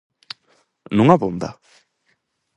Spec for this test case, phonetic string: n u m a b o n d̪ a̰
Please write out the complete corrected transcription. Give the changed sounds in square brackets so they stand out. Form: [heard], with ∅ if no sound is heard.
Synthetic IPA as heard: n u [ŋ] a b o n d̪ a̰